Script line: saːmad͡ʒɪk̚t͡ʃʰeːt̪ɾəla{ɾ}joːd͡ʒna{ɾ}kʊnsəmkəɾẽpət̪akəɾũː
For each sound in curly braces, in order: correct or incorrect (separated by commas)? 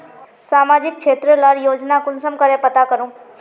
correct, incorrect